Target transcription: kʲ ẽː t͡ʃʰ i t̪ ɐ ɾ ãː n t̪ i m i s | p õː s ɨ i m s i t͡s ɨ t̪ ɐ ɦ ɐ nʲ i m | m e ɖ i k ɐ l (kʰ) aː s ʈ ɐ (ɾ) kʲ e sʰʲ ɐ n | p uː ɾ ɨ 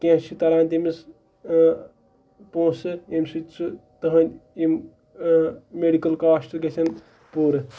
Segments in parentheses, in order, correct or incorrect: incorrect, incorrect

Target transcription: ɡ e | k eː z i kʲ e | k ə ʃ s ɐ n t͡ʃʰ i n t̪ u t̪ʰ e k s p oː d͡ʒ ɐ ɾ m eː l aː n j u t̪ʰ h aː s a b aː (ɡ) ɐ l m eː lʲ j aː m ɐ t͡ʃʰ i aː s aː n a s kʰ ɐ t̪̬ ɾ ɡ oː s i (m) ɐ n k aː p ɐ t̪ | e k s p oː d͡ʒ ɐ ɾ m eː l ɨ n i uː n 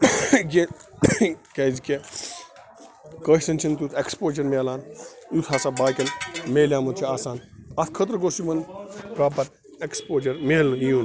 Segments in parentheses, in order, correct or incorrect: incorrect, correct

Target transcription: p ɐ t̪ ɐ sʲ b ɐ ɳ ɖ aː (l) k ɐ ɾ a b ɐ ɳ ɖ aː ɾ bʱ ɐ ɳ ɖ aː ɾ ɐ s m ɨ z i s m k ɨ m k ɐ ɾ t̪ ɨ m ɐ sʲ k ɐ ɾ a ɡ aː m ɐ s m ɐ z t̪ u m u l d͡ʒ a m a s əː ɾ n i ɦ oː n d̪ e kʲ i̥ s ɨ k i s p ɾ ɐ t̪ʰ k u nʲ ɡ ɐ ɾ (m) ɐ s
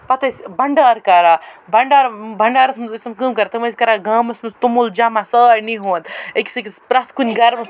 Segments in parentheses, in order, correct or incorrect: incorrect, correct

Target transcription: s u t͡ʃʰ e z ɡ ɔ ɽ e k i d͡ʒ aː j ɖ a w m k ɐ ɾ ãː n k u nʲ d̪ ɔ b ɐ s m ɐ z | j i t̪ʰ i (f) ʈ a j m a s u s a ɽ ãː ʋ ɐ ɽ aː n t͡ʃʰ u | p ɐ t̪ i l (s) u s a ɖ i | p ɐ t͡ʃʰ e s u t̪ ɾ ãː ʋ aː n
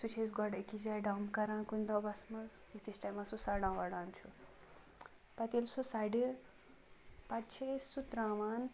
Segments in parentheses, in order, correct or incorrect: incorrect, correct

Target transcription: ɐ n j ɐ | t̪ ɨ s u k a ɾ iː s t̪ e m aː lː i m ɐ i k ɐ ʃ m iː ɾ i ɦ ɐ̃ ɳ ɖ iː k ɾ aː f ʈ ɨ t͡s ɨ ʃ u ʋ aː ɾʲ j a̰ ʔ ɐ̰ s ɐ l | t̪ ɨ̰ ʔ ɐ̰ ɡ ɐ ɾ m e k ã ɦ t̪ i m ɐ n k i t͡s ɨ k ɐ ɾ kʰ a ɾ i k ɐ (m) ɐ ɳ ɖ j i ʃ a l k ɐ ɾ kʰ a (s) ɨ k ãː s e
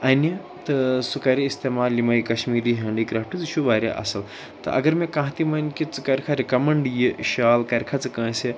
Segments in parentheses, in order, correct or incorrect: correct, incorrect

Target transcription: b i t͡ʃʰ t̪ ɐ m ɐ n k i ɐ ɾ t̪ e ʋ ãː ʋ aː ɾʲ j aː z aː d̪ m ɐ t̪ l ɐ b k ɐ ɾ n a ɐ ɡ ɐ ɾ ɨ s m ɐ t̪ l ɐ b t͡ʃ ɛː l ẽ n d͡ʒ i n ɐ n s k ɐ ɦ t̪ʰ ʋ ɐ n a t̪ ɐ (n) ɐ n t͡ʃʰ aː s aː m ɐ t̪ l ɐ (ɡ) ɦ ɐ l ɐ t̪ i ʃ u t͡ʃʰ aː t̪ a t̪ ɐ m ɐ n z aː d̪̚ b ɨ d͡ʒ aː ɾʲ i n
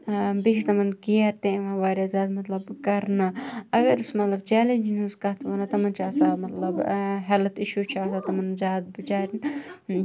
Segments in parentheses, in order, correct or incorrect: incorrect, incorrect

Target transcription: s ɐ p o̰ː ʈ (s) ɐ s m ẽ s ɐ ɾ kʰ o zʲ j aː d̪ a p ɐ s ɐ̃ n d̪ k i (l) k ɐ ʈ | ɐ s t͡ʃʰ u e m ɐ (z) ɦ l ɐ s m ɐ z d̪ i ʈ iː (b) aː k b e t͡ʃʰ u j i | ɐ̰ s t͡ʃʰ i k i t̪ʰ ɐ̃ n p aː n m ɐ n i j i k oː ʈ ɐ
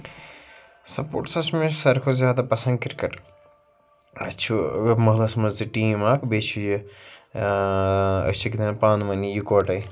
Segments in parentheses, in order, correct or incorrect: correct, incorrect, incorrect, incorrect

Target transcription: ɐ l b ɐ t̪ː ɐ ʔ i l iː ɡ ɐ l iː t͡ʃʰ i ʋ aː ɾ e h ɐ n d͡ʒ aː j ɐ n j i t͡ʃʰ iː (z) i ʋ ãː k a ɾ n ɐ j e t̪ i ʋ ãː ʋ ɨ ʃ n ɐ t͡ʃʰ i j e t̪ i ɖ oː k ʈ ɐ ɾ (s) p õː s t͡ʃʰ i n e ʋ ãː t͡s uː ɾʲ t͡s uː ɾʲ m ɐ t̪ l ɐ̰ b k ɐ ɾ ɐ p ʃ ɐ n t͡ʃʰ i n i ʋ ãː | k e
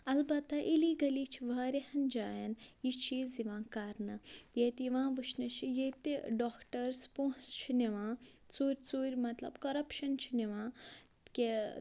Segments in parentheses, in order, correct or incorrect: correct, correct

